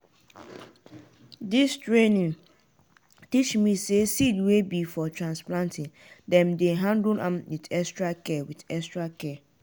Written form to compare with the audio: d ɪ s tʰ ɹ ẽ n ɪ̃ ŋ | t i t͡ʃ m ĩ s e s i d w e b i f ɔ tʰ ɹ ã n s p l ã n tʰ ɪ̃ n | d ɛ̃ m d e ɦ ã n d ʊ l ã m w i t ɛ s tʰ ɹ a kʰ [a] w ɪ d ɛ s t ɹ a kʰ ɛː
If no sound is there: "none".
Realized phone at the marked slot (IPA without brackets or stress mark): ɛ